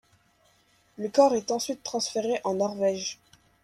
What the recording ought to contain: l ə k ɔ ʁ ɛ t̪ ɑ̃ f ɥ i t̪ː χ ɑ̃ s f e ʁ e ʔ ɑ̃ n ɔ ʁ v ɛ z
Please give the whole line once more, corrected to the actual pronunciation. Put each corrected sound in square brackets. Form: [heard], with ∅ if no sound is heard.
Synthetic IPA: l ə k ɔ ʁ ɛ t̪ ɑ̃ [s] ɥ i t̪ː χ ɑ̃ s f e ʁ e ʔ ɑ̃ n ɔ ʁ v ɛ [ʒ]